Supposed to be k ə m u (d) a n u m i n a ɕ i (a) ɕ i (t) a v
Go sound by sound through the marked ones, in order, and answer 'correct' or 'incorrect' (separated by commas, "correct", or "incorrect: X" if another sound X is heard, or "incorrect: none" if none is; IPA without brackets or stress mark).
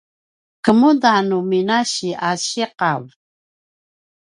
correct, correct, incorrect: q